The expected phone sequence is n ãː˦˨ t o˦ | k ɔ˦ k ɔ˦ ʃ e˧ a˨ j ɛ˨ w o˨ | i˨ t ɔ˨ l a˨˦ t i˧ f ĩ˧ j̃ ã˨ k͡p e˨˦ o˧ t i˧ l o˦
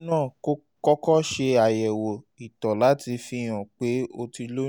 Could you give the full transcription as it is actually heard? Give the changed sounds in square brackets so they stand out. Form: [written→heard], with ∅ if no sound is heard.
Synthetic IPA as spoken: n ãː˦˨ [t→k] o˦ | k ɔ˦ k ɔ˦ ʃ e˧ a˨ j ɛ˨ w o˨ | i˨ t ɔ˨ l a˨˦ t i˧ f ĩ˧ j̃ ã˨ k͡p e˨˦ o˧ t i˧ l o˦